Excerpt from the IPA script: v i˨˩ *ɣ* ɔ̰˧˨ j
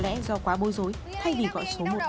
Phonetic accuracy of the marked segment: correct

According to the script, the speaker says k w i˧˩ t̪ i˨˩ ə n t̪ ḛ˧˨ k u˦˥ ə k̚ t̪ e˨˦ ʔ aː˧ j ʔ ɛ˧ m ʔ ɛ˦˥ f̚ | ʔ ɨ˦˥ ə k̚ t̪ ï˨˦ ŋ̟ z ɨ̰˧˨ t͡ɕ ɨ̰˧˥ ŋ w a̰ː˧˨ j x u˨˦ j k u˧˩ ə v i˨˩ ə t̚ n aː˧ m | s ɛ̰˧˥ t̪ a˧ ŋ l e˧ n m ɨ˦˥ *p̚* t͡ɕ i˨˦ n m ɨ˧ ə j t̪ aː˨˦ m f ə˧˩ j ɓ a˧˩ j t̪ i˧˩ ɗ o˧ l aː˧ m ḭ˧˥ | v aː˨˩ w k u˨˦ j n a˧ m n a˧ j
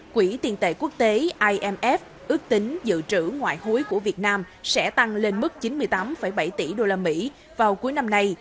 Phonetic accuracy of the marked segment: incorrect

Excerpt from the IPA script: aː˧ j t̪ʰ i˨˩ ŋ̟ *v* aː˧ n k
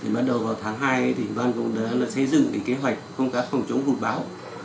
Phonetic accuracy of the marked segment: correct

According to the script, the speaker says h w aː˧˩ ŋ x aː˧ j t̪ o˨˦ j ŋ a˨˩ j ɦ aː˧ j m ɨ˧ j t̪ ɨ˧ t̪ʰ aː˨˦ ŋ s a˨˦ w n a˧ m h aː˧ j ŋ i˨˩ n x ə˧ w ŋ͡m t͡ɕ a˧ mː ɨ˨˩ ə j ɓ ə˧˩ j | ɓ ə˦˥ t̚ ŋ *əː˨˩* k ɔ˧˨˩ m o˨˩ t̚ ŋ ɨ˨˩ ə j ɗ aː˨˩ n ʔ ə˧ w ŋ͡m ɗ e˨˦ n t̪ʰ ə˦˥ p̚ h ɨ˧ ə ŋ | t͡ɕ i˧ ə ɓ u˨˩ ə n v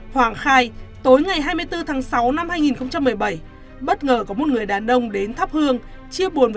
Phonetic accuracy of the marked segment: correct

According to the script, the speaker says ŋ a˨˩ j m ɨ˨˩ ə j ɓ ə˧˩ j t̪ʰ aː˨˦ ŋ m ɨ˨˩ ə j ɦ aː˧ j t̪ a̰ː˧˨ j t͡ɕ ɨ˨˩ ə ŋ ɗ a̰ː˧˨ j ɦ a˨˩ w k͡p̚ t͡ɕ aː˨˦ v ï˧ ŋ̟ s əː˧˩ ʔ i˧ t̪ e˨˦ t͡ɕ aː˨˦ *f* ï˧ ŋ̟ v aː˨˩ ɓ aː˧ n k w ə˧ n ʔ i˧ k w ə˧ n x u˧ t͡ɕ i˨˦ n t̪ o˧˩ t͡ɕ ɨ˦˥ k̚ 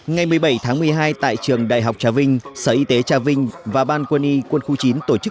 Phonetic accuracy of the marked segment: incorrect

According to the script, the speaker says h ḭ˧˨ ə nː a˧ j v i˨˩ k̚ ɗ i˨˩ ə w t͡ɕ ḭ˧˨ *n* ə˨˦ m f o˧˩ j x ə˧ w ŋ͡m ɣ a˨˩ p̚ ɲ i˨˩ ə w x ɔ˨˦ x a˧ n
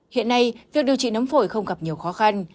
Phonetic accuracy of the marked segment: correct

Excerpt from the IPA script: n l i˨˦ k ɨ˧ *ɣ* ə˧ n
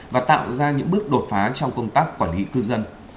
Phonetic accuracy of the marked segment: incorrect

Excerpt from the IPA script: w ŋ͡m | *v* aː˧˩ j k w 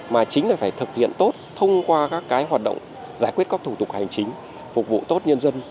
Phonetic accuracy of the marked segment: incorrect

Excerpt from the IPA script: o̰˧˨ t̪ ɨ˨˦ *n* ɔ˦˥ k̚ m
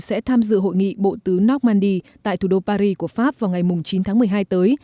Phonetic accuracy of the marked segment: correct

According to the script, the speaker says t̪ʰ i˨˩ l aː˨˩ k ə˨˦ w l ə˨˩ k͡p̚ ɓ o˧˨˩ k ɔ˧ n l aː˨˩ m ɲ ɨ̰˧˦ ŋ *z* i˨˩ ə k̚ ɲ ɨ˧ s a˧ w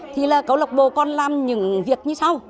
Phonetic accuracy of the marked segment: incorrect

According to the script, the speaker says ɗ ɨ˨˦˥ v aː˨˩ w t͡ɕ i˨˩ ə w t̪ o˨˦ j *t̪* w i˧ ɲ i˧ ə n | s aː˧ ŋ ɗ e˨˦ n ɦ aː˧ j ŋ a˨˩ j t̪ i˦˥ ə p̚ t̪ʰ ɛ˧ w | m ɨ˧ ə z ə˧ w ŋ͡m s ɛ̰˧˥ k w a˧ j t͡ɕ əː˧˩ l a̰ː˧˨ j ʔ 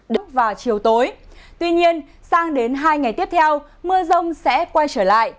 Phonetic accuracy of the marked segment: correct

